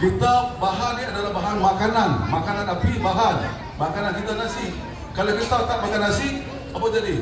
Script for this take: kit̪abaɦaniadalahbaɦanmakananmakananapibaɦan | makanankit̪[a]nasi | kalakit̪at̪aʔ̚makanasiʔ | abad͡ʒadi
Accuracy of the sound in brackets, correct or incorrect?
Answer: correct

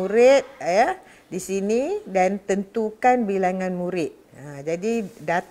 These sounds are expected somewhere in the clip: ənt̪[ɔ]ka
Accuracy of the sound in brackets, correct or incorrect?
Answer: incorrect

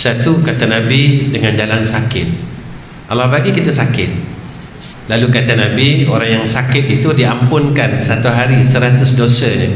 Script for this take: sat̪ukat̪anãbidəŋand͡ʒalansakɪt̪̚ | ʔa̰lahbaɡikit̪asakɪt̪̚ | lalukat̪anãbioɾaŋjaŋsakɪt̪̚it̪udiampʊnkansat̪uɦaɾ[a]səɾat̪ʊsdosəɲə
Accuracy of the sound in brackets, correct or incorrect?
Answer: incorrect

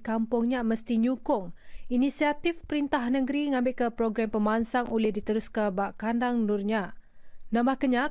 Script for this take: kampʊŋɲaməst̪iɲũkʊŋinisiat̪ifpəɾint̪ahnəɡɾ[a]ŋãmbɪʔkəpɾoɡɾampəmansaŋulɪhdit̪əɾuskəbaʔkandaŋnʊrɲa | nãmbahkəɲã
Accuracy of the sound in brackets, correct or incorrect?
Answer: incorrect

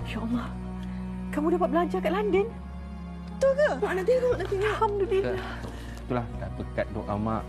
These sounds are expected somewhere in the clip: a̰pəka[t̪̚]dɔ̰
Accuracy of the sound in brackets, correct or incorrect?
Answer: correct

